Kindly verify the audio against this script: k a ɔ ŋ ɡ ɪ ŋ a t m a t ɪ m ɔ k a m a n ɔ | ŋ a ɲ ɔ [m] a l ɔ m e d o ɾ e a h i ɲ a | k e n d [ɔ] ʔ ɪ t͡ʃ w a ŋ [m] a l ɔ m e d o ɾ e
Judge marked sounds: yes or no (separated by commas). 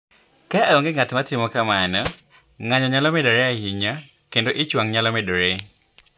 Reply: no, no, no